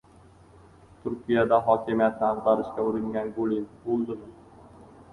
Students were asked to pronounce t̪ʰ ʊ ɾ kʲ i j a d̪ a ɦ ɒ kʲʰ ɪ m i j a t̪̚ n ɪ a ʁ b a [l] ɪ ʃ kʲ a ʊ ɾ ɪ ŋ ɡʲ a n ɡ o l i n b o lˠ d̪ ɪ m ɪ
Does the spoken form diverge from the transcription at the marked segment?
yes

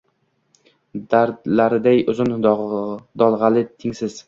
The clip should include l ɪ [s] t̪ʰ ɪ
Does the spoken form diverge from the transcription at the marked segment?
yes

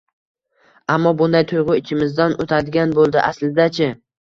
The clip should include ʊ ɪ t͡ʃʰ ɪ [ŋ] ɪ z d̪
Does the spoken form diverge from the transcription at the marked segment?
yes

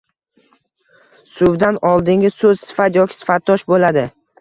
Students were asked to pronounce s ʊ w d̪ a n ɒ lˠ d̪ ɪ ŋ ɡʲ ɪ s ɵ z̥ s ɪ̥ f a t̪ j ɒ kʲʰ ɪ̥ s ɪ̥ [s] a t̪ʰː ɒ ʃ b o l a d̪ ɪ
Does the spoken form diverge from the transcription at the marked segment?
yes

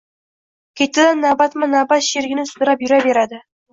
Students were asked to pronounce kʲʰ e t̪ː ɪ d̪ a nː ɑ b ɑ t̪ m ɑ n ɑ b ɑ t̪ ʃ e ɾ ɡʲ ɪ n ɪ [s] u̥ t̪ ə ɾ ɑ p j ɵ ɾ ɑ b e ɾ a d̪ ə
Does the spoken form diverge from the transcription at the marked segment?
no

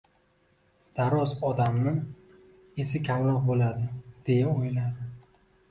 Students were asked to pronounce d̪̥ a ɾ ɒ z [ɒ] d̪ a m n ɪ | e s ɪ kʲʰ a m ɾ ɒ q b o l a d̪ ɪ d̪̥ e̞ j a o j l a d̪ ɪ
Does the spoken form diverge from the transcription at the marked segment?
no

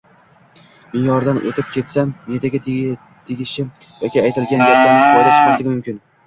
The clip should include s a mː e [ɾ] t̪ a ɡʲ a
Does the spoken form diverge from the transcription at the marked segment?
yes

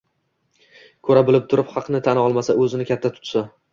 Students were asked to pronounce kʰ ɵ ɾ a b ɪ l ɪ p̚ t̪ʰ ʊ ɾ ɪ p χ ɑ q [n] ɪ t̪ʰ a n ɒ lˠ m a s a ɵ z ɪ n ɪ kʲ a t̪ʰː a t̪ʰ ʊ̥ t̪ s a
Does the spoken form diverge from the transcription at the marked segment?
no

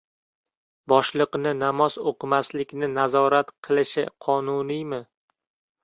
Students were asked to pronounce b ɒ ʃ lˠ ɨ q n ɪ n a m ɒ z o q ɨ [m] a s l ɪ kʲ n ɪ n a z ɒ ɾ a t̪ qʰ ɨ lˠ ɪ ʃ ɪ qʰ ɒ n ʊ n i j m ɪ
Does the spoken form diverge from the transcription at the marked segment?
no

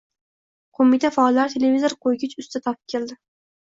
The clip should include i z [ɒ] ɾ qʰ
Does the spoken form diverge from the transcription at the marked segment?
yes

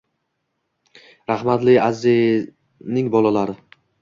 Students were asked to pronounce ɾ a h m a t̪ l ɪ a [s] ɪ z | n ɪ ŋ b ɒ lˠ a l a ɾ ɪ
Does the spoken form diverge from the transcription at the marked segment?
yes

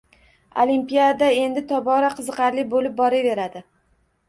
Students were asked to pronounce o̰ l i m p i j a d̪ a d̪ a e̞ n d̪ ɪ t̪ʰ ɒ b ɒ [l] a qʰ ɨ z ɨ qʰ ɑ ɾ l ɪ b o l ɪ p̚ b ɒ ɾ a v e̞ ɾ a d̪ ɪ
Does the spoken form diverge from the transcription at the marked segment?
yes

